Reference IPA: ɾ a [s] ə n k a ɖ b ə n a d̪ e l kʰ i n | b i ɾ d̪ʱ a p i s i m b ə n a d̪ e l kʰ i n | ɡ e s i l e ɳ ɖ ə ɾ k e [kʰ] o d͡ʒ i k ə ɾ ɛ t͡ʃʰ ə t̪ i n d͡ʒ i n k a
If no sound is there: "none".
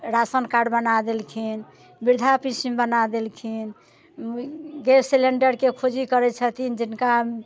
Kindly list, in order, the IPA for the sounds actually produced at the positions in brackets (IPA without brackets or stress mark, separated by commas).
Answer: s, kʰ